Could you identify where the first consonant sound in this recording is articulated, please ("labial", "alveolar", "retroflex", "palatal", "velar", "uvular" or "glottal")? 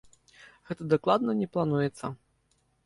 velar